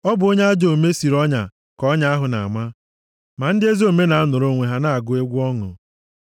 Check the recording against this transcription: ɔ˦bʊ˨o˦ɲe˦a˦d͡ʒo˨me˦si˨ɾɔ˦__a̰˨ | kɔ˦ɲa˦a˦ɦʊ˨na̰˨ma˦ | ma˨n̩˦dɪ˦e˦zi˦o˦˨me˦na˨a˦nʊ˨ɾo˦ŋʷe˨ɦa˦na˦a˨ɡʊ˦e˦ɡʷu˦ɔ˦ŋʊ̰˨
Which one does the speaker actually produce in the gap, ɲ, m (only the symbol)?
ɲ